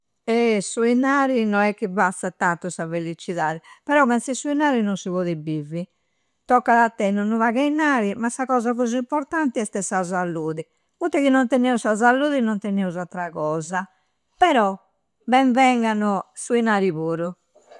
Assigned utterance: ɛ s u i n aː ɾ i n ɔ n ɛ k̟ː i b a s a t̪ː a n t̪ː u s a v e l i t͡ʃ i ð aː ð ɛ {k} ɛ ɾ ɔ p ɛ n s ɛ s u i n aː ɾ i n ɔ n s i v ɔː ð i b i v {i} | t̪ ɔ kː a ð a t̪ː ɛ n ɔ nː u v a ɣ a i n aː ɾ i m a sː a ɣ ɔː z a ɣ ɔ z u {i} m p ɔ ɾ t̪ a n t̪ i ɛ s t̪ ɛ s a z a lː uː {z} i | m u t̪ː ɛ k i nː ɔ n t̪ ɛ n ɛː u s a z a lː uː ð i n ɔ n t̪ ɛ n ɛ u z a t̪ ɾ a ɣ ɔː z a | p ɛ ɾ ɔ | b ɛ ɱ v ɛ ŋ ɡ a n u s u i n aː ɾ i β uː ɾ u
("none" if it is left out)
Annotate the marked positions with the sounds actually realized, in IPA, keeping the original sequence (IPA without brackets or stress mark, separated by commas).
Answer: p, i, i, ð